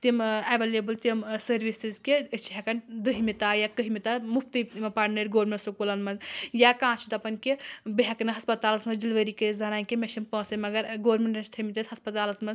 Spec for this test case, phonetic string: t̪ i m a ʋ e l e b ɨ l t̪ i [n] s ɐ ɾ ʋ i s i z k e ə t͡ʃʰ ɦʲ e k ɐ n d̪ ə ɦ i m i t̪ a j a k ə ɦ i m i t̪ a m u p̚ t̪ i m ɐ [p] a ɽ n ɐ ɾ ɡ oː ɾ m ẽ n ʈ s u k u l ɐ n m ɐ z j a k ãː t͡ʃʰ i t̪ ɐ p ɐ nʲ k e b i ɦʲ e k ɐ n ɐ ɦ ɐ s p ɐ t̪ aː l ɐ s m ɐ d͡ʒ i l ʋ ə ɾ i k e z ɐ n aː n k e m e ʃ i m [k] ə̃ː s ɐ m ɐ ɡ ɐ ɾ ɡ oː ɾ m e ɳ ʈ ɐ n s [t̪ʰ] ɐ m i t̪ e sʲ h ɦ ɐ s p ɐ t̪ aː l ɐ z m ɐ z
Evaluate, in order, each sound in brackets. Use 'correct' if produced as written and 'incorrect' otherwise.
incorrect: m, correct, incorrect: p, correct

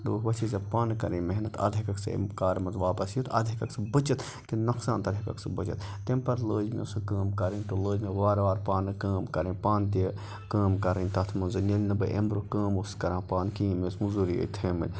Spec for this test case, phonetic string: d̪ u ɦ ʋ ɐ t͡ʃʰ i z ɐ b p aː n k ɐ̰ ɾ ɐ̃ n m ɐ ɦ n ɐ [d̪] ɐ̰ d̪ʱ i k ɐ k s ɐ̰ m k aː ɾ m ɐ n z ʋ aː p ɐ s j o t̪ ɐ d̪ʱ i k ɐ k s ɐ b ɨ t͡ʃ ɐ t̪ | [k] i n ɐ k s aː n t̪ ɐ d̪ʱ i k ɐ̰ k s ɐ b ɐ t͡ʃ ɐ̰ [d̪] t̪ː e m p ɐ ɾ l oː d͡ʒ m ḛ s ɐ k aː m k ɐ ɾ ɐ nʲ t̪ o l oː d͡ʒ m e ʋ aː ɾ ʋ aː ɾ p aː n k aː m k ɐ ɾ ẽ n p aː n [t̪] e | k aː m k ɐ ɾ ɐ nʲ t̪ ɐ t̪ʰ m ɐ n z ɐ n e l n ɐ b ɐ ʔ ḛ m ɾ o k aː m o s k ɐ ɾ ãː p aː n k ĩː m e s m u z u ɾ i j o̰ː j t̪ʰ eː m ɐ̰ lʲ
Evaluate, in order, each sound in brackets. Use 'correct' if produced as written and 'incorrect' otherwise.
incorrect: t̪, correct, incorrect: t̪, correct

